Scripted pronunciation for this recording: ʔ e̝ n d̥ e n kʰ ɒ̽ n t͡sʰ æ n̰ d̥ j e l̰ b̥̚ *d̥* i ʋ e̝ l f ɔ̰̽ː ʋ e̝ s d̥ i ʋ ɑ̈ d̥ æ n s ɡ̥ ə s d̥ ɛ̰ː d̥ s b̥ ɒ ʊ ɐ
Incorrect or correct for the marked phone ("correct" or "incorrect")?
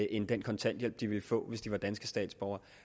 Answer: correct